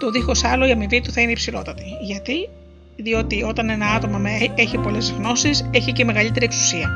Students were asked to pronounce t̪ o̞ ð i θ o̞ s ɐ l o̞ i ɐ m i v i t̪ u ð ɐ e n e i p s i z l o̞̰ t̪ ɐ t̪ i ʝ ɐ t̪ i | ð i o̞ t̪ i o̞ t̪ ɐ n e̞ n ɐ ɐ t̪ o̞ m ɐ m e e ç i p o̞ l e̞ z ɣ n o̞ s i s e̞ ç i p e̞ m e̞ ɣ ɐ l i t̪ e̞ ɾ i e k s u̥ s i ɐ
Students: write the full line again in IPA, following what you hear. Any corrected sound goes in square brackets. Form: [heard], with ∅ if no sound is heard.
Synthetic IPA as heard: t̪ o̞ ð i [x] o̞ s ɐ l o̞ i ɐ m i v i t̪ u [θ] ɐ [i] n e i p s i [∅] l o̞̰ t̪ ɐ t̪ i ʝ ɐ t̪ i | ð i o̞ t̪ i o̞ t̪ ɐ n e̞ n ɐ ɐ t̪ o̞ m ɐ m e e ç i p o̞ l e̞ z ɣ n o̞ s i s e̞ ç i [c] e̞ m e̞ ɣ ɐ l i t̪ e̞ ɾ i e k s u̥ s i ɐ